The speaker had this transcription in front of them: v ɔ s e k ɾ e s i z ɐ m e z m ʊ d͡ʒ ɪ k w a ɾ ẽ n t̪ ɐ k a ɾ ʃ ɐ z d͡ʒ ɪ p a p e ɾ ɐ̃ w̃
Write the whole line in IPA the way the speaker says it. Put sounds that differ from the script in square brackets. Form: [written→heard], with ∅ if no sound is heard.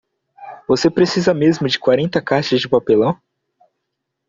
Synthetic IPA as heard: v [ɔ→o] s e [k→p] ɾ e s i z ɐ m e z m ʊ d͡ʒ ɪ k w a ɾ ẽ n t̪ ɐ k a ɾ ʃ ɐ z d͡ʒ ɪ p a p e [ɾ→l] ɐ̃ w̃